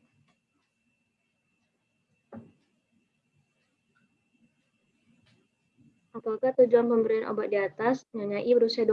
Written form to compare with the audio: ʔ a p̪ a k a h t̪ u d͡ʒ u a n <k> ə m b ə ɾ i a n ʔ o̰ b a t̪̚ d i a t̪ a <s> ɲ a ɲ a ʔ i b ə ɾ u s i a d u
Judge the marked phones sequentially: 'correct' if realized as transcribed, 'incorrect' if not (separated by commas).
incorrect, correct